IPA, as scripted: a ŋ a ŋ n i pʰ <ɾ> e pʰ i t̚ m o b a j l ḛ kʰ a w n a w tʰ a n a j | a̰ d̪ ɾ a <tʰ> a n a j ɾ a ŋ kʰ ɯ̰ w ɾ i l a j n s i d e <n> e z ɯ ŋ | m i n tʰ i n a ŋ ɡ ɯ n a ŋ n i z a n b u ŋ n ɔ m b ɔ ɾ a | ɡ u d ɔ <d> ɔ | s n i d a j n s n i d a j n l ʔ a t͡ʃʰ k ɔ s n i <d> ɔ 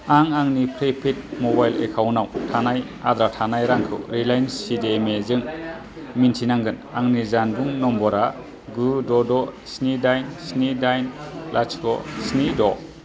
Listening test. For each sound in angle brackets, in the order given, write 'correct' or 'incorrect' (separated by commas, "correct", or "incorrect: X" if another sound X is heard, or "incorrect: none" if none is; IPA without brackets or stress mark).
correct, correct, incorrect: m, correct, correct